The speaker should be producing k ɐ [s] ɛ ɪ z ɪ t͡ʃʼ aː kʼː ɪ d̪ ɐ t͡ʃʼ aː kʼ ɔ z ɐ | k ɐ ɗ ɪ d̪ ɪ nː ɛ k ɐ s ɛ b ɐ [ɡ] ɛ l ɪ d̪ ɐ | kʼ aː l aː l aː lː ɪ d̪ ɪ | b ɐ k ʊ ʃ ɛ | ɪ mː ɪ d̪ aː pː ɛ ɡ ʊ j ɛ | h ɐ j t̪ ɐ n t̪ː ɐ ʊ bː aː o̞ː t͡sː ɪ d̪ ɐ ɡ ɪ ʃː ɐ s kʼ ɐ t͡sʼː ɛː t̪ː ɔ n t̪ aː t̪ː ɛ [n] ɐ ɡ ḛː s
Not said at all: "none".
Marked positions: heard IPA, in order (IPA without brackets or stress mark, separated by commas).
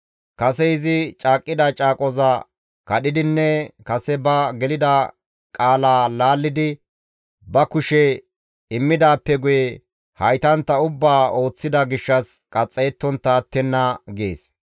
s, ɡ, nː